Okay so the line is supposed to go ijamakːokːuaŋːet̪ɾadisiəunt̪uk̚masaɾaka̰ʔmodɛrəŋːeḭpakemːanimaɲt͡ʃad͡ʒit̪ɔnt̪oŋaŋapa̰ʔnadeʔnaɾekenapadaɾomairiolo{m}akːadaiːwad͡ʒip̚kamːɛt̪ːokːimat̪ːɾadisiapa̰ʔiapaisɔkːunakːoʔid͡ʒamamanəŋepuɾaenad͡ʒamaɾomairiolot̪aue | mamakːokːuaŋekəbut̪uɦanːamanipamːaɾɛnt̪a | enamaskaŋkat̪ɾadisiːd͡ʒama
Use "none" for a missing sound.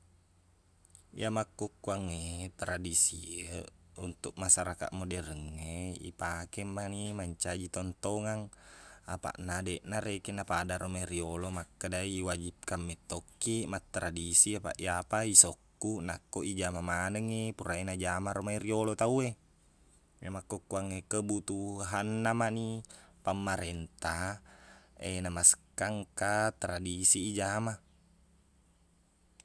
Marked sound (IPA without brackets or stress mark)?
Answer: m